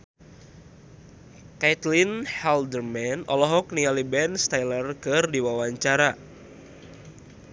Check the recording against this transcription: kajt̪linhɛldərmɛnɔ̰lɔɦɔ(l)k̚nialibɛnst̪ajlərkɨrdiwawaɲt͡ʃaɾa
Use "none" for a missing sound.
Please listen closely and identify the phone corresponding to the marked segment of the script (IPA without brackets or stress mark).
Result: none